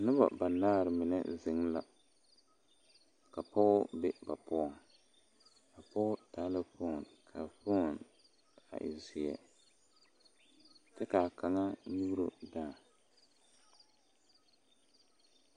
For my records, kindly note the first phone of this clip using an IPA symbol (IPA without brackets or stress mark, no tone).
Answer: n